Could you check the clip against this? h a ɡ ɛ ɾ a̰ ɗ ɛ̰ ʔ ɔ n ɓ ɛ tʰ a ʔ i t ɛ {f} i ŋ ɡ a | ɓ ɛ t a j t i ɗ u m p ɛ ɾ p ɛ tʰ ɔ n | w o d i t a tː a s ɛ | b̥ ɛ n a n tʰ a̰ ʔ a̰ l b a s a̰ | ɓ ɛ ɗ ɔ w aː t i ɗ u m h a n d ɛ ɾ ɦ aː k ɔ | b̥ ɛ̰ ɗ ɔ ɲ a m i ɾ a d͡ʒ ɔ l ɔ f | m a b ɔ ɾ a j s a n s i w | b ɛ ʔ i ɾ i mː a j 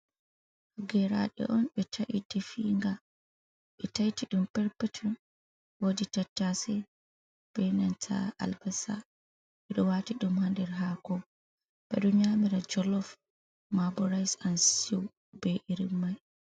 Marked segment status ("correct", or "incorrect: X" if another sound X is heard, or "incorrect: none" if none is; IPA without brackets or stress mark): correct